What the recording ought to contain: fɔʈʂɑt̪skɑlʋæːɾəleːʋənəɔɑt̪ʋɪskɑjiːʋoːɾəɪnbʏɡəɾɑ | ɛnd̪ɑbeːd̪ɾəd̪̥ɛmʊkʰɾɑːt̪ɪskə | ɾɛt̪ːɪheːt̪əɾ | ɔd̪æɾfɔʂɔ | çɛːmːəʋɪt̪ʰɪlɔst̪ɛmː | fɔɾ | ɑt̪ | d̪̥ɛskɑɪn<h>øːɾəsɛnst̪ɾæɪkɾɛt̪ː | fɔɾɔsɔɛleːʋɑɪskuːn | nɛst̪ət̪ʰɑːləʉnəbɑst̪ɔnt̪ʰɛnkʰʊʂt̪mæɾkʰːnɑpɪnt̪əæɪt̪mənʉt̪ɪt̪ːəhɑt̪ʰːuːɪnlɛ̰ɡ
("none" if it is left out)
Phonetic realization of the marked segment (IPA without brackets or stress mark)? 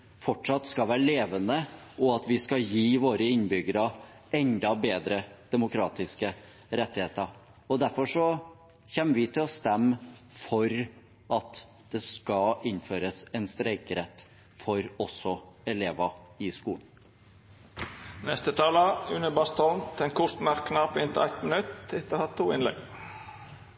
f